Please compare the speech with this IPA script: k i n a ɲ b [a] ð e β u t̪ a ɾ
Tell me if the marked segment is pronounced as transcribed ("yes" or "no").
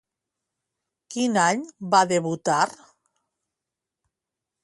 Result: yes